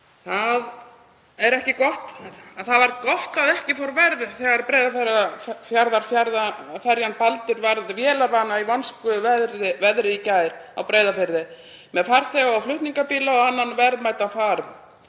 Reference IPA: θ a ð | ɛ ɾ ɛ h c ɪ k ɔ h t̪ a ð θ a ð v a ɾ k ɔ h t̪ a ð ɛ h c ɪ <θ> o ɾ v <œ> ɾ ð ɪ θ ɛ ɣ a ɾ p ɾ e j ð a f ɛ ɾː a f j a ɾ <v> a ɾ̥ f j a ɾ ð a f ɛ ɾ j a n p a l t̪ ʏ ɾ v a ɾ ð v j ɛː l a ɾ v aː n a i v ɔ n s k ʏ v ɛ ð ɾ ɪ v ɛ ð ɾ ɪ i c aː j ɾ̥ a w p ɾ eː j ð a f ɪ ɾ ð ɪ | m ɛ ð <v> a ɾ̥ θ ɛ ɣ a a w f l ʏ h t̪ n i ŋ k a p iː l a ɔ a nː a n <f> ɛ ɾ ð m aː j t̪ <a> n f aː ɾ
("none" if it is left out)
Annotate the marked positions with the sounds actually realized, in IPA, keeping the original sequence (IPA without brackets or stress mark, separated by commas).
f, ɛ, ð, f, v, a